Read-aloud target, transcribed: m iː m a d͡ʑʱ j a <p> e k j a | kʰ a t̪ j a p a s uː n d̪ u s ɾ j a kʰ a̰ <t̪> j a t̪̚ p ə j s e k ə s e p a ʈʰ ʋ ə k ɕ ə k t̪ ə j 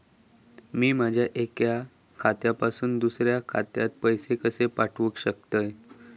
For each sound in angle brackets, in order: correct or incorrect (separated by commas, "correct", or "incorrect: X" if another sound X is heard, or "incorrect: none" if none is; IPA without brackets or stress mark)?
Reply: incorrect: ʔ, correct